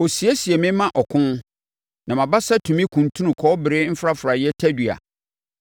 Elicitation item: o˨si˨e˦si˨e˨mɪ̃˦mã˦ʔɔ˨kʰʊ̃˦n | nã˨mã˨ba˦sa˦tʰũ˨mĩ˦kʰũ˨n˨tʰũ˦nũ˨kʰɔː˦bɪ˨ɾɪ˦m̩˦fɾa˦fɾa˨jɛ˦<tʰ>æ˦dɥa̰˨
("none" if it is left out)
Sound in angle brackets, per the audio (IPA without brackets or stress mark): tʰ